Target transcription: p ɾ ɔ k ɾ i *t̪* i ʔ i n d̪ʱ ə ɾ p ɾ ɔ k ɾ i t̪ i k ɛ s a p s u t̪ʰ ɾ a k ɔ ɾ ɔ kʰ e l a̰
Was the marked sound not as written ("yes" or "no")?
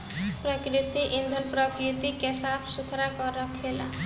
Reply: no